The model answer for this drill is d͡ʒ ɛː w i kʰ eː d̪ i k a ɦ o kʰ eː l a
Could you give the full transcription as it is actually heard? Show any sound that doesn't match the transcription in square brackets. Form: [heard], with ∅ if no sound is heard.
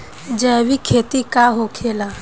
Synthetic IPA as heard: d͡ʒ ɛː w i kʰ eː [t̪] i k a ɦ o kʰ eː l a